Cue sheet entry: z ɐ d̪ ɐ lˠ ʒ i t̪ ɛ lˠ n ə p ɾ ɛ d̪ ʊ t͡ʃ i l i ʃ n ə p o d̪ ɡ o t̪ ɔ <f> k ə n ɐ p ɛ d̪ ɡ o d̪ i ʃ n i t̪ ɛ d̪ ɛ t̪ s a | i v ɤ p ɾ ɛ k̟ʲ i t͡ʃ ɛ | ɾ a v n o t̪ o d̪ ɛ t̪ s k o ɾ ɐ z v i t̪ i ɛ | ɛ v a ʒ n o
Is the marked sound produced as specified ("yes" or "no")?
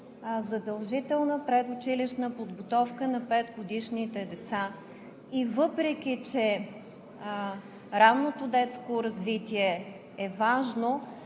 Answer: yes